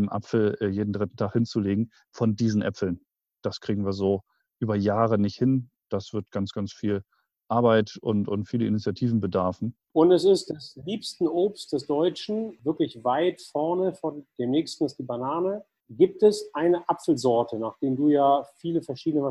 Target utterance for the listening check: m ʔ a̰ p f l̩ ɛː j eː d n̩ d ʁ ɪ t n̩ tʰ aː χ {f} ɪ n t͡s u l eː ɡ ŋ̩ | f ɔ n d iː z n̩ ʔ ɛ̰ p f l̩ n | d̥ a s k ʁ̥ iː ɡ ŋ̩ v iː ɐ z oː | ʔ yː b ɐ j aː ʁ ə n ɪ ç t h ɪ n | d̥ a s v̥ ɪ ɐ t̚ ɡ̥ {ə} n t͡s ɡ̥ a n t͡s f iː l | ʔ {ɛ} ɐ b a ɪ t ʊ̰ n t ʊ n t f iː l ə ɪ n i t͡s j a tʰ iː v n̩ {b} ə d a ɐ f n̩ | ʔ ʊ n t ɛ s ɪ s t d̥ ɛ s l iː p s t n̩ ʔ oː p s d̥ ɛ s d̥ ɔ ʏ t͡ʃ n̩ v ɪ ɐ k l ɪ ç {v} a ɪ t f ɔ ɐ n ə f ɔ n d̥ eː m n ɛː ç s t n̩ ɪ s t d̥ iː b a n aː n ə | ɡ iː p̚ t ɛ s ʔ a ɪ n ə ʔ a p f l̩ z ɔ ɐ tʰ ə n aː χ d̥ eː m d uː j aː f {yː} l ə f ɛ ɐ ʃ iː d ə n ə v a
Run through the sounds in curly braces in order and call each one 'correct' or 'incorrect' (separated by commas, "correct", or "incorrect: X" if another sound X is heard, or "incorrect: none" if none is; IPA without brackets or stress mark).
incorrect: h, incorrect: a, incorrect: a, correct, correct, incorrect: iː